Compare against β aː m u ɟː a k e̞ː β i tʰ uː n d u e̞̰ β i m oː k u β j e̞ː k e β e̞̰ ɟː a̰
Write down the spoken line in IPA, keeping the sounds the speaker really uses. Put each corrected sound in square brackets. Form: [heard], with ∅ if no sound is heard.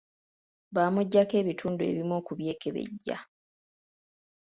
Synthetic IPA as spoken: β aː m u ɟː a k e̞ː β i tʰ uː n d u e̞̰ β i m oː k u β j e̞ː k e β e̞̰ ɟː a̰

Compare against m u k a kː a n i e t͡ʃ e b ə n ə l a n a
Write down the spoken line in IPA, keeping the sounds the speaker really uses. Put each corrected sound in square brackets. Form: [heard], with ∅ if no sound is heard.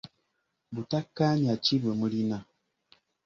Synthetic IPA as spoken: [b] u [t] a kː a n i [a] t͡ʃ [i] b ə [m] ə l [i] n a

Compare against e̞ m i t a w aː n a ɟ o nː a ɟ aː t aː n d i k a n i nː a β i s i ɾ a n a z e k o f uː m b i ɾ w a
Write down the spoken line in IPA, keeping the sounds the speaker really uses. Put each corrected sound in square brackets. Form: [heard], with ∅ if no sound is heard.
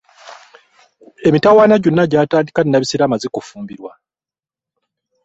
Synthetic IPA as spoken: e̞ m i t a w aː n a ɟ o nː a ɟ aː t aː n d i k a n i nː a β i s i ɾ a [m] a z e k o f uː m b i ɾ w a

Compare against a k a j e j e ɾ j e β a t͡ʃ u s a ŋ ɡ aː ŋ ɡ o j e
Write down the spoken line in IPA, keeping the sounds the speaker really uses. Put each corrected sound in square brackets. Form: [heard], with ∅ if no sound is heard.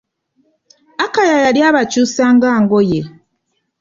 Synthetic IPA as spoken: a k a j [a] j [a] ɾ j [a] β a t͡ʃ u s a ŋ ɡ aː ŋ ɡ o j e

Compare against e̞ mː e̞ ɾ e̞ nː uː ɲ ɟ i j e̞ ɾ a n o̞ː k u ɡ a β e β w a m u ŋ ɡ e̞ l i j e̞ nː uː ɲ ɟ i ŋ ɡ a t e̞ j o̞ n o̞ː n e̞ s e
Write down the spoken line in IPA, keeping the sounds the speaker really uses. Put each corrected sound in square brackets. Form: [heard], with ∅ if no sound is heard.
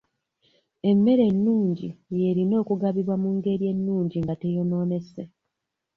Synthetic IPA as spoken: e̞ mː e̞ ɾ e̞ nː uː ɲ ɟ i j e̞ ɾ [i] n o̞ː k u ɡ a β [i] β w a m u ŋ ɡ e̞ [ɾ] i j e̞ nː uː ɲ ɟ i ŋ ɡ a t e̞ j o̞ n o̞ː n e̞ s e

